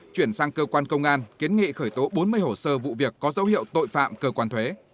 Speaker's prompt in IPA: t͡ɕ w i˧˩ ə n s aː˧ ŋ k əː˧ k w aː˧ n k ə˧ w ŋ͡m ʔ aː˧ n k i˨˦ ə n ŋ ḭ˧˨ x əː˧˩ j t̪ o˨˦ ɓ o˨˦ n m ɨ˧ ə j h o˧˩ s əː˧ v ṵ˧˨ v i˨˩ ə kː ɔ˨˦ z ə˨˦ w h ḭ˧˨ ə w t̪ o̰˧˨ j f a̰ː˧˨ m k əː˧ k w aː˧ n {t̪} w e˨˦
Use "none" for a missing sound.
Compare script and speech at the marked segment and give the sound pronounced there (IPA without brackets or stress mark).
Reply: t̪ʰ